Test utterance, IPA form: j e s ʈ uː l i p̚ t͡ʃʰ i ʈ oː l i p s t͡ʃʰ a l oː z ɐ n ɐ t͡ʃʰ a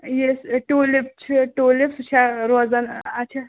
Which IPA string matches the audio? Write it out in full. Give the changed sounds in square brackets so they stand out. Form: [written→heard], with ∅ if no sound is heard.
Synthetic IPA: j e s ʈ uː l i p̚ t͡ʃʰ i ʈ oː l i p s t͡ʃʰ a [l→ɾ] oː z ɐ n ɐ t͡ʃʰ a